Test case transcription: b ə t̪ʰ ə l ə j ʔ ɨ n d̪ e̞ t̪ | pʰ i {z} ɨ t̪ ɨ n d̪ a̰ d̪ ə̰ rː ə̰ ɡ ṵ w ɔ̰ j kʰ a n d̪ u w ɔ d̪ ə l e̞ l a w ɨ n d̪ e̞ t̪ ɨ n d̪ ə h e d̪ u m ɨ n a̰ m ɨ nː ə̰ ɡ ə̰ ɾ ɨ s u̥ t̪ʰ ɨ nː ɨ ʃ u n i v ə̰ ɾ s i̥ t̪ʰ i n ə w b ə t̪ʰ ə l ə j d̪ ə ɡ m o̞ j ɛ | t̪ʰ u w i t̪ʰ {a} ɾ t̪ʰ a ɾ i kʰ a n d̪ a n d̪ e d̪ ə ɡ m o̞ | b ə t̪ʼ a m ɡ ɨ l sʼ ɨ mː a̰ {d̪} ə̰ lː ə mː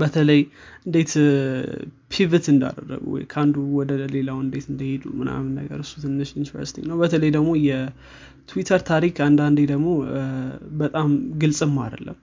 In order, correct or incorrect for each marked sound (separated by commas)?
incorrect, incorrect, correct